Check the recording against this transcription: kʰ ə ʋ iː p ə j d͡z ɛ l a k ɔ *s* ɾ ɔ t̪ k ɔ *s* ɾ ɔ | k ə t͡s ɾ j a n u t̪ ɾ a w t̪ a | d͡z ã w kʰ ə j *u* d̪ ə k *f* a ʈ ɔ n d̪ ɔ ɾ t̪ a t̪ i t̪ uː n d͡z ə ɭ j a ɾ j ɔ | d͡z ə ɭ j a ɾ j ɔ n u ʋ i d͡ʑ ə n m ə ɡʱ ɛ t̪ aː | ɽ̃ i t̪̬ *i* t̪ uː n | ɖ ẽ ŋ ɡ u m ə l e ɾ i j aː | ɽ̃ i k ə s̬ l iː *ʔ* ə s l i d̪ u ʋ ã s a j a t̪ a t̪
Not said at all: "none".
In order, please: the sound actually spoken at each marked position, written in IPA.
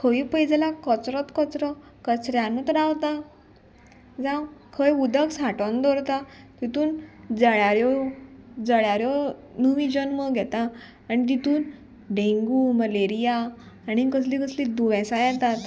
t͡s, t͡s, u, s, i, k

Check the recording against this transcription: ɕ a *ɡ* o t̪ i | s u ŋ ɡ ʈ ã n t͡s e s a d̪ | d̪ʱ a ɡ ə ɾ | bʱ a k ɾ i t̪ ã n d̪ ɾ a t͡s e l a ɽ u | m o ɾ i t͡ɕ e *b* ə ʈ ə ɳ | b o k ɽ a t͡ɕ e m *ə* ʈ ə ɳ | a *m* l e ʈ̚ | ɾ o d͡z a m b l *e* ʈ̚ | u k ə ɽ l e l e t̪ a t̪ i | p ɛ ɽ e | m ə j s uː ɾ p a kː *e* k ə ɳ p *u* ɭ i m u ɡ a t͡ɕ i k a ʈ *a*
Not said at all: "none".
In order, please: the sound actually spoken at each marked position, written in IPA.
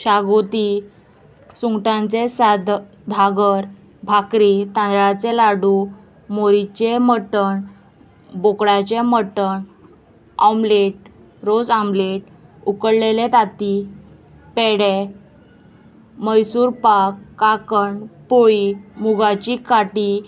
ɡ, m, ə, m, e, a, o, i

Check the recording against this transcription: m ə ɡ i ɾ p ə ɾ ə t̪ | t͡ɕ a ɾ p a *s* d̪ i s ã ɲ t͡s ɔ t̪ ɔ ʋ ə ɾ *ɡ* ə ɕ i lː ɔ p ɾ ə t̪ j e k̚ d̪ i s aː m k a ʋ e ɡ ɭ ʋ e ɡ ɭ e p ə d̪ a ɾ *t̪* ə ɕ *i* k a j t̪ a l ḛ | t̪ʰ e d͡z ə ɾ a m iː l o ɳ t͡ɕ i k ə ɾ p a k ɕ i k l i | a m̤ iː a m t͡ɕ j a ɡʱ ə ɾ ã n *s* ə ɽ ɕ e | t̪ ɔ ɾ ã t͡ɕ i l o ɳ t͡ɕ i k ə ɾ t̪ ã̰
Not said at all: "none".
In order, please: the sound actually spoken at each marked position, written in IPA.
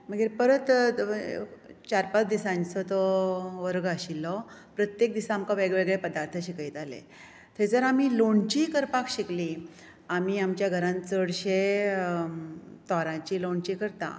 t͡s, ɡ, t̪ʰ, i, t͡s

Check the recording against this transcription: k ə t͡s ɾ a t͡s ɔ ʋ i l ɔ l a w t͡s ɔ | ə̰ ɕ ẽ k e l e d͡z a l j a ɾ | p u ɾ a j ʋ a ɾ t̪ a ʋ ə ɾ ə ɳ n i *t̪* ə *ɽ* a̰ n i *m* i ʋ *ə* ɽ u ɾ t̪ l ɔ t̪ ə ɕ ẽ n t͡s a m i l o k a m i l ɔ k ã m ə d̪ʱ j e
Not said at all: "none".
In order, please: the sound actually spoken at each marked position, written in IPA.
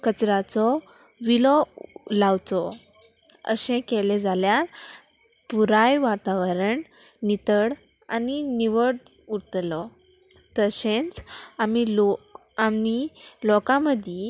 t̪, ɽ, n, ə

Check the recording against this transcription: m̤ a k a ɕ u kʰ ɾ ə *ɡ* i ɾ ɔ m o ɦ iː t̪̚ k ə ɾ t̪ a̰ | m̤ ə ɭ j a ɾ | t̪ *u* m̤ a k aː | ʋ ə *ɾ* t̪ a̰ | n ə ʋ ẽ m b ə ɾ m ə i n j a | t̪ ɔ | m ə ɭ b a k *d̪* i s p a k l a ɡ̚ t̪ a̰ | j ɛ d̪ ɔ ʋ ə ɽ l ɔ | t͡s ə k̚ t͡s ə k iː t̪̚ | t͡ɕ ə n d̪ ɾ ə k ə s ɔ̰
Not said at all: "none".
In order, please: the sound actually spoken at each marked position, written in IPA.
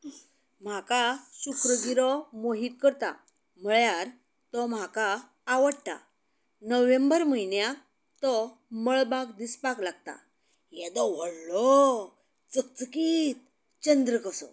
ɡ, ɔ, ɽ, d̪

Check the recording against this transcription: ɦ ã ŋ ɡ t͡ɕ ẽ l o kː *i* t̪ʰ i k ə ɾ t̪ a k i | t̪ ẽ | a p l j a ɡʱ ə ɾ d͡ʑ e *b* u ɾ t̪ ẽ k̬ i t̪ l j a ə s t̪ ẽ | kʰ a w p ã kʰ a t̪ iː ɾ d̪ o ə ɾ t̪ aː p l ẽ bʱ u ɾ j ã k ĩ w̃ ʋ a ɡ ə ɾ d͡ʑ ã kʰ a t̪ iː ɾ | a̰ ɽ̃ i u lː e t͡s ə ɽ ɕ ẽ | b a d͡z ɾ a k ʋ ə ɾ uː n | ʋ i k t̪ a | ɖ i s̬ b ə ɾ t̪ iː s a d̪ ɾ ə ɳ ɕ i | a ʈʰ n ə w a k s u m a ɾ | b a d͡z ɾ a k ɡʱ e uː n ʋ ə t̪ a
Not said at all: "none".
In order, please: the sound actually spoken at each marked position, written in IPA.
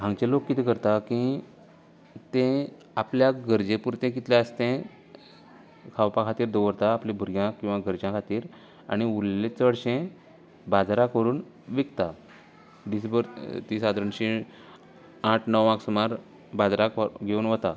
i, p

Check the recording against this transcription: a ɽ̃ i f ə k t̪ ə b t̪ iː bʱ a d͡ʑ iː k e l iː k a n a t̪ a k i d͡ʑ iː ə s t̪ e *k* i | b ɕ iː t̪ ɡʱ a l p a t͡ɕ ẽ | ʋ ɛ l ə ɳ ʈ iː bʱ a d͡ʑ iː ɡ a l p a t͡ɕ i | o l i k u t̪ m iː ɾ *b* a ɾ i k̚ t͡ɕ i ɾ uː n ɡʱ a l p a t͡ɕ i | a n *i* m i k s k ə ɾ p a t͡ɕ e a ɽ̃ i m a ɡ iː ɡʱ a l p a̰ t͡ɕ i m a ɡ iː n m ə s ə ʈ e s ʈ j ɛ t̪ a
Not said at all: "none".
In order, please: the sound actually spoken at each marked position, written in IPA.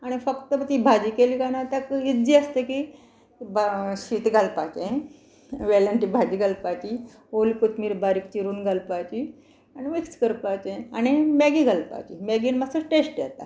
k, b, i

